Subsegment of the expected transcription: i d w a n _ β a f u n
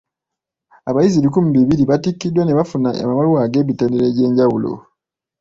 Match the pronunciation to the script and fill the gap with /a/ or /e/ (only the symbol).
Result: e